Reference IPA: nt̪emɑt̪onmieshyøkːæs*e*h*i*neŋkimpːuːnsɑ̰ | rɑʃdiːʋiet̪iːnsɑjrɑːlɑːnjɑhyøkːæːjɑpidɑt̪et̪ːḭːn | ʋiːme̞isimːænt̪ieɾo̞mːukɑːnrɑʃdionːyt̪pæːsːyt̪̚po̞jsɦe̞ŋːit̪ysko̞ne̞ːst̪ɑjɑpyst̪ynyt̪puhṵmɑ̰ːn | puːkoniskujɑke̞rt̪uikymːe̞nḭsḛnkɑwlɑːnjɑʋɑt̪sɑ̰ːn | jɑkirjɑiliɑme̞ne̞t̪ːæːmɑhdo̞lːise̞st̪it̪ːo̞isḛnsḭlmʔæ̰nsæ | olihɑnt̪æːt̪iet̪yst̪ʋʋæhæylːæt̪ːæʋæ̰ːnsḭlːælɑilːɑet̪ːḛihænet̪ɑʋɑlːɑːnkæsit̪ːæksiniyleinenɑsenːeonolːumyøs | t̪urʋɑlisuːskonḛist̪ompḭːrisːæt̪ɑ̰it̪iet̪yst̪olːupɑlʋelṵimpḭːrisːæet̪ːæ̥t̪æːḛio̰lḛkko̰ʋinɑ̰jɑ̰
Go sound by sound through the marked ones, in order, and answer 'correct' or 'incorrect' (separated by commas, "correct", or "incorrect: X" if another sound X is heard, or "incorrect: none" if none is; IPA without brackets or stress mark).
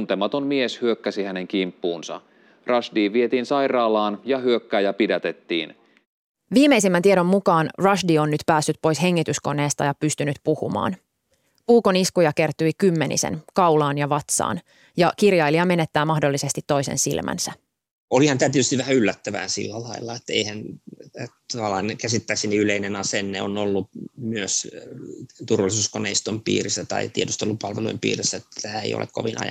incorrect: i, incorrect: æ